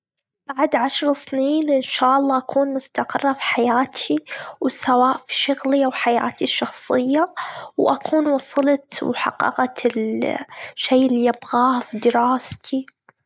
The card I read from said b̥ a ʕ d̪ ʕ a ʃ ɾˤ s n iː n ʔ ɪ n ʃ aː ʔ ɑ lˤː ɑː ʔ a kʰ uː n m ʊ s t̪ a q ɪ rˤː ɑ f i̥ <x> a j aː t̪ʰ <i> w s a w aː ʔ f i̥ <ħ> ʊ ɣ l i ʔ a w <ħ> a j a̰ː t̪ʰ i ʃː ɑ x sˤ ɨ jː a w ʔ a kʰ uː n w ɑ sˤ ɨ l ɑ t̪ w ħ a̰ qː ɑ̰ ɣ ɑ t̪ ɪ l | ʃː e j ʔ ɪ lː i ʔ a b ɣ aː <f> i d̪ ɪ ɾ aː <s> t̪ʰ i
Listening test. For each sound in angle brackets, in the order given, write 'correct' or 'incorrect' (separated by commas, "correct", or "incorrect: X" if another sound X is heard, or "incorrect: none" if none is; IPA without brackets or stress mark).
incorrect: ħ, correct, incorrect: ʃ, correct, correct, correct